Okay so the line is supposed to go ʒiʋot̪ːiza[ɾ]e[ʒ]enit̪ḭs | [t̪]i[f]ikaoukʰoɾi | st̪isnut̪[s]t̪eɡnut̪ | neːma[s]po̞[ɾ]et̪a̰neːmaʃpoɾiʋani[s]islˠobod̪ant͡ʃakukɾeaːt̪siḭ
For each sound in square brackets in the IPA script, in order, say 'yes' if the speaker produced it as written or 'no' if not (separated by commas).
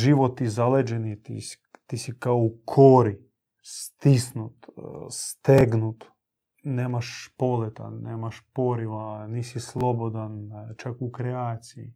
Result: no, no, yes, no, yes, no, no, yes